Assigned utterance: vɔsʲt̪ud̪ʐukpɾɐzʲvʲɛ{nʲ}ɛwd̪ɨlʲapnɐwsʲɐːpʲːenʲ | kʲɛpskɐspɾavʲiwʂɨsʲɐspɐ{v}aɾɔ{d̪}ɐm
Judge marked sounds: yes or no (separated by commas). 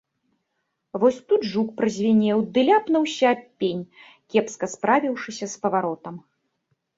yes, yes, no